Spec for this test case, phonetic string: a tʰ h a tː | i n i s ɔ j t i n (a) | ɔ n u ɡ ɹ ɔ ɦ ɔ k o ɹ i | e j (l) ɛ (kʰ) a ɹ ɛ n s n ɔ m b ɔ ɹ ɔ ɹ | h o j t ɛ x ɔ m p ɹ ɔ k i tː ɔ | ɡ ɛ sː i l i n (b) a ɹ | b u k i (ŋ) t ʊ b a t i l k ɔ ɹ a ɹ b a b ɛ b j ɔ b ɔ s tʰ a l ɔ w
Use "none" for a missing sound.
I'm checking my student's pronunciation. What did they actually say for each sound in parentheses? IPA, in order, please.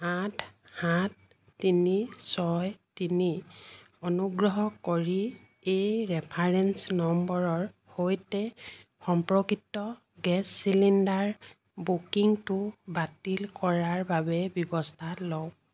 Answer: i, ɹ, pʰ, d, ŋ

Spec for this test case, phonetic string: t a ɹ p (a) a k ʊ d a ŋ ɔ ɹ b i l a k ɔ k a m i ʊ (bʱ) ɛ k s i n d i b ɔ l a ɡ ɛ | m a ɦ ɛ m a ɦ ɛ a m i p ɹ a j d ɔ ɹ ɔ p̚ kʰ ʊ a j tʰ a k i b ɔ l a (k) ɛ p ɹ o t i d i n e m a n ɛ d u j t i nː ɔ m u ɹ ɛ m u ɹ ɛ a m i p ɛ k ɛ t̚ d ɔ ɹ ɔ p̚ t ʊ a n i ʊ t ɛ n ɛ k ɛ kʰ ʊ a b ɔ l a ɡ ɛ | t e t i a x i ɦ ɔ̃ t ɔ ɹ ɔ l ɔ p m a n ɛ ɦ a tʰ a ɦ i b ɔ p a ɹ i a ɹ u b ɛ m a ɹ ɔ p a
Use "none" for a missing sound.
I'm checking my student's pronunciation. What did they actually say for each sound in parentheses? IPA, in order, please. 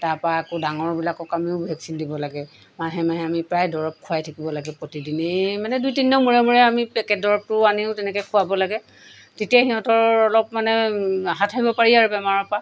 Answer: a, bʱ, ɡ

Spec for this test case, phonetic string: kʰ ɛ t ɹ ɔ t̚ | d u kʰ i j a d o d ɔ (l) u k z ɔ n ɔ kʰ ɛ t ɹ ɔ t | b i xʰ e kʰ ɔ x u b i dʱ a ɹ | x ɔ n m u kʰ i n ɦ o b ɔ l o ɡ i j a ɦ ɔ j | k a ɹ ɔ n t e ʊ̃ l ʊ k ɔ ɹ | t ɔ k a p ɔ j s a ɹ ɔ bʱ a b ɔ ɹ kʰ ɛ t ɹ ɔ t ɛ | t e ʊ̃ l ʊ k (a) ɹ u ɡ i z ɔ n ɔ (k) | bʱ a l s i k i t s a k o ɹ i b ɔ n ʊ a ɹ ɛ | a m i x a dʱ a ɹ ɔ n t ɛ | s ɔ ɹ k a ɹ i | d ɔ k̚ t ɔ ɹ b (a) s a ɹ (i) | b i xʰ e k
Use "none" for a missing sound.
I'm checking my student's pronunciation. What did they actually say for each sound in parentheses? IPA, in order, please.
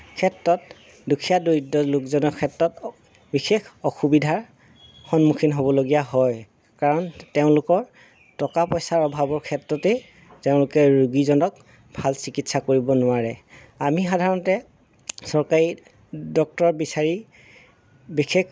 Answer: l, ɛ, k, i, i

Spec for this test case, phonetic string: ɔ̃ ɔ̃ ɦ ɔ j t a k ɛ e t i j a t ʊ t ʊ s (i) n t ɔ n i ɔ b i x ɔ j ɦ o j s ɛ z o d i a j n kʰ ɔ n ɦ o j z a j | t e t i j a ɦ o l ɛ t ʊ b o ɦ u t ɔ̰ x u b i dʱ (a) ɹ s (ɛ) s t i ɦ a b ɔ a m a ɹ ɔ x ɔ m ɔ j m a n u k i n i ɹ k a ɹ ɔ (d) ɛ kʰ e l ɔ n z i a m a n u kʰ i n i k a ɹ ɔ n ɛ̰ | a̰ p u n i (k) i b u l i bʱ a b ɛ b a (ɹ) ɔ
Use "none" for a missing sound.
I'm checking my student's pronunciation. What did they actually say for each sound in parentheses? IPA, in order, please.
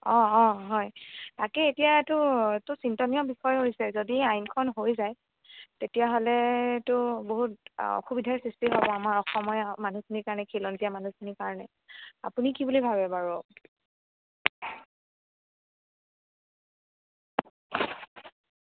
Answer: i, a, i, n, k, ɹ

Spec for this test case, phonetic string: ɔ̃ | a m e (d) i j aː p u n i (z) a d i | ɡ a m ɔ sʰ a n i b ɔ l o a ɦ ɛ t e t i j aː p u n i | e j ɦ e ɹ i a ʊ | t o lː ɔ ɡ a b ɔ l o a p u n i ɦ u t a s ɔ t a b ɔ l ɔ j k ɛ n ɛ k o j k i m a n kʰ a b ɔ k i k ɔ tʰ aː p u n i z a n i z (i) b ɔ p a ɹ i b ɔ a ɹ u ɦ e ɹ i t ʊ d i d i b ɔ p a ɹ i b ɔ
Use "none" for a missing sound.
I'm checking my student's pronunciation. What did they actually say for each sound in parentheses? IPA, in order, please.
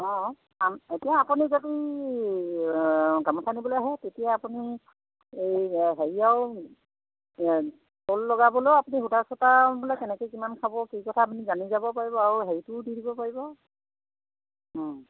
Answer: t, z, a

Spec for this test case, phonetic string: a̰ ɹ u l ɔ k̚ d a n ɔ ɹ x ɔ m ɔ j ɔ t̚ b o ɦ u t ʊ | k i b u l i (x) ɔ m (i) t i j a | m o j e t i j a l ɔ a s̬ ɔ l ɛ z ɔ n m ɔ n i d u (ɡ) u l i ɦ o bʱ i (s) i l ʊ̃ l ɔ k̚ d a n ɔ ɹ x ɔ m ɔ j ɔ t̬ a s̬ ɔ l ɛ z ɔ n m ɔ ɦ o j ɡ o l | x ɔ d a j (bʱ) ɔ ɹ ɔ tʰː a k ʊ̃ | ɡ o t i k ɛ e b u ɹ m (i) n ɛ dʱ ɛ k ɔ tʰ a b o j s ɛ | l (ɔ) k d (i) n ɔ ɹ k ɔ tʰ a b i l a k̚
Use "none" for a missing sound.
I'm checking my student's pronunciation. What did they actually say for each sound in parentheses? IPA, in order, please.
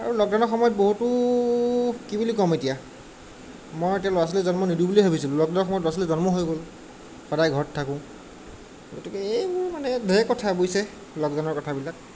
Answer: k, e, b, s, ɡʱ, a, ɔ, a

